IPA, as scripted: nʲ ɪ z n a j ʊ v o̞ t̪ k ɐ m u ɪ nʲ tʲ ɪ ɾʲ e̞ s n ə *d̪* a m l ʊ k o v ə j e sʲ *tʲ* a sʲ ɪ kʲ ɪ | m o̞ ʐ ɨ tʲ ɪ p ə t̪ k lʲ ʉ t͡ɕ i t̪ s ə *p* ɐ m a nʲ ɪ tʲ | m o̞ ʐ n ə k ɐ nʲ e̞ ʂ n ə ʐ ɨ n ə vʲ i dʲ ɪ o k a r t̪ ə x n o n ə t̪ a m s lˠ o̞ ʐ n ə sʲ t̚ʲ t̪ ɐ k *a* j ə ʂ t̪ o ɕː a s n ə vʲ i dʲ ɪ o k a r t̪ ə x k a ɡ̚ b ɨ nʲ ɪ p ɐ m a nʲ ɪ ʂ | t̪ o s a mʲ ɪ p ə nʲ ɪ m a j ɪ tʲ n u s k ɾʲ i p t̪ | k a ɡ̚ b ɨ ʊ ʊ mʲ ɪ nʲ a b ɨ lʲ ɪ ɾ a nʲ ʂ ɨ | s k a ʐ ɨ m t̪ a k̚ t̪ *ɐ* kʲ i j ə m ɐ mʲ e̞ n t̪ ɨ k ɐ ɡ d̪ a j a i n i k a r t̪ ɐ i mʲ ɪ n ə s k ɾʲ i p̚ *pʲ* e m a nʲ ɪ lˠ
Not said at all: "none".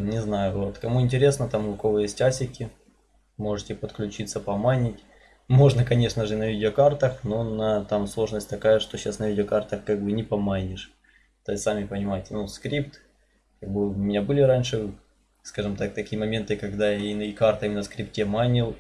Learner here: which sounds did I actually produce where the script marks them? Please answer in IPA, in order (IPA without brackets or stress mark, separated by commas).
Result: t̪, tʲ, p, a, ɐ, tʲ